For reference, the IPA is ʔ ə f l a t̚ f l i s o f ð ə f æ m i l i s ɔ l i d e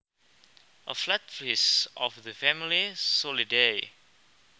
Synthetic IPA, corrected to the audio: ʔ ə f l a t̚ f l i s ɔ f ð ə f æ m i l i s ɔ l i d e